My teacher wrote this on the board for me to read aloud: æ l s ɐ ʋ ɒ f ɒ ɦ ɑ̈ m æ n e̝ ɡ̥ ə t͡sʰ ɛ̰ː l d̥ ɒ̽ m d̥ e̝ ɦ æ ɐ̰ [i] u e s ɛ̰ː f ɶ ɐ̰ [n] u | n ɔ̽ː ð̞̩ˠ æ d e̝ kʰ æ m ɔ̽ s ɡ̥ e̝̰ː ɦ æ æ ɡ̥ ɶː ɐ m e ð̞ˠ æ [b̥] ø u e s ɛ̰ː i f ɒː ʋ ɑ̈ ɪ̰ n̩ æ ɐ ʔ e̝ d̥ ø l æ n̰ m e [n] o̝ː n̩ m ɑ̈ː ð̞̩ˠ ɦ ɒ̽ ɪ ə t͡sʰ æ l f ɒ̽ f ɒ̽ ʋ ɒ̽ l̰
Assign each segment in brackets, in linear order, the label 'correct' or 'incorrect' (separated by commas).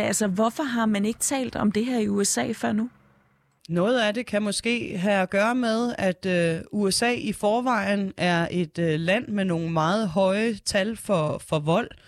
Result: correct, correct, incorrect, correct